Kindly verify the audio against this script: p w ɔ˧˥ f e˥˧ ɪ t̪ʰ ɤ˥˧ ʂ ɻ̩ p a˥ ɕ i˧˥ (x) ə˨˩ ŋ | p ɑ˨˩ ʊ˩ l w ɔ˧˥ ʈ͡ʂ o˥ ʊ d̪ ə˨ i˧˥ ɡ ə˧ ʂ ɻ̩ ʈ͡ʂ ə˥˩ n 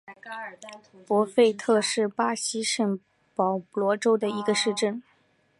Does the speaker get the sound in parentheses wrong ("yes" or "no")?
yes